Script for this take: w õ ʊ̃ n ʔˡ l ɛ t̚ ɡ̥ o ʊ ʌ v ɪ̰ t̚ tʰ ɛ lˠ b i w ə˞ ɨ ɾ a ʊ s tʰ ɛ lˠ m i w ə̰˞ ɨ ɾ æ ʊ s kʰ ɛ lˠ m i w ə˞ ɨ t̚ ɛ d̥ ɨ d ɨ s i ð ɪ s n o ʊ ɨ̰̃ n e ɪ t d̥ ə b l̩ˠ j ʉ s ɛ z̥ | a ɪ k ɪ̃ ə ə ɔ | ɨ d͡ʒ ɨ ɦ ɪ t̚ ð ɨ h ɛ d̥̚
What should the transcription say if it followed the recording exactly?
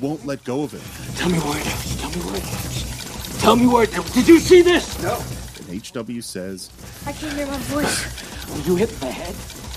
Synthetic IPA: w õ ʊ̃ n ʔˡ l ɛ t̚ ɡ̥ o ʊ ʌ v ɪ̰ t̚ tʰ ɛ lˠ m i w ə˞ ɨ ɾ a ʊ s tʰ ɛ lˠ m i w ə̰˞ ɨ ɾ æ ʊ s tʰ ɛ lˠ m i w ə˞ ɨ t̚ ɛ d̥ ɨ d͡ʒ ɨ s i ð ɪ s n o ʊ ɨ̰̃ n e ɪ t͡ʃ d̥ ʌ b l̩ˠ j ʉ s ɛ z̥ | a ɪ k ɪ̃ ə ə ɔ | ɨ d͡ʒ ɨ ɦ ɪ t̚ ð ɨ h ɛ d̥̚